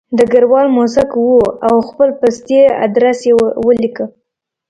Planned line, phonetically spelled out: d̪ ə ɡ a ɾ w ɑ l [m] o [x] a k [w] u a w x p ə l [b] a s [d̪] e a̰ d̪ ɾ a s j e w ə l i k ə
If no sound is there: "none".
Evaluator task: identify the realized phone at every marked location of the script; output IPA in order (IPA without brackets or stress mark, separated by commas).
m, s, w, p, t̪